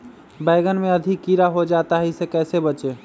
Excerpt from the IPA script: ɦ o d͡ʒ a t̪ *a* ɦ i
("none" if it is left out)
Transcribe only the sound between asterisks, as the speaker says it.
a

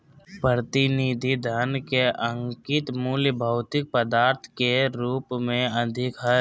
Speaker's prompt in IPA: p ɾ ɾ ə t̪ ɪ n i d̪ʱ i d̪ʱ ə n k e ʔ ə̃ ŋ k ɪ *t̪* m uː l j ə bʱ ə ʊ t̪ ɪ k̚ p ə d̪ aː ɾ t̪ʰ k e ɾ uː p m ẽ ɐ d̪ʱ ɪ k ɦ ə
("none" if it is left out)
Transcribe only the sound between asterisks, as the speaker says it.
t̪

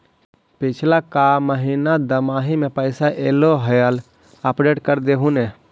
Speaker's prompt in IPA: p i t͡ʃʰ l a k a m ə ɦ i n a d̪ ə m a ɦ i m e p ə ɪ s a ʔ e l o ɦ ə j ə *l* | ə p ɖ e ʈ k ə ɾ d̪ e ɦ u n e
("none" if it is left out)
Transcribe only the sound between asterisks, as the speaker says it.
l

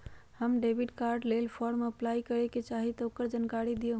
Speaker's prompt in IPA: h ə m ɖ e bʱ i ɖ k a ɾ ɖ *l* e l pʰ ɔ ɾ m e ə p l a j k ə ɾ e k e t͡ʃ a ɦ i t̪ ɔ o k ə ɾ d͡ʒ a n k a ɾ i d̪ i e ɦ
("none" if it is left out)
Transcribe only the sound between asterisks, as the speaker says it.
l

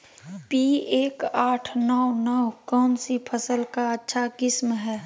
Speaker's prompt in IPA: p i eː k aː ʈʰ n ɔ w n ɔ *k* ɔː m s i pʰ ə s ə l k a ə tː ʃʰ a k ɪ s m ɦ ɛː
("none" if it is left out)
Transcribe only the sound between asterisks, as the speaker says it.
k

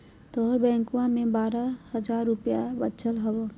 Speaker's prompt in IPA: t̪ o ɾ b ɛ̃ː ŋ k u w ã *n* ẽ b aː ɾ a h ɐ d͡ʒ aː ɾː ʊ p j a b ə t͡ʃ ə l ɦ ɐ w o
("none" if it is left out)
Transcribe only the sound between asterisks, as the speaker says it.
m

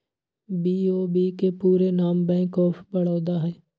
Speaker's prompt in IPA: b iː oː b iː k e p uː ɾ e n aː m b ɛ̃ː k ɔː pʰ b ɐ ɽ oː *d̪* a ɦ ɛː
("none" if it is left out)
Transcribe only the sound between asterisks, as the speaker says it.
d̪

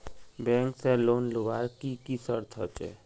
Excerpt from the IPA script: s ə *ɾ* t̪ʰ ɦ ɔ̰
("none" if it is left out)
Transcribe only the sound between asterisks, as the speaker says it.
ɾ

